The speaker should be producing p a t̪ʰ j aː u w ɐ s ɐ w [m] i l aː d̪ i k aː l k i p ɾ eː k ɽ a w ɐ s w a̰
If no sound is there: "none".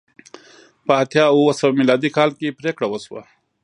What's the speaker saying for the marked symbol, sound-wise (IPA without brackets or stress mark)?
m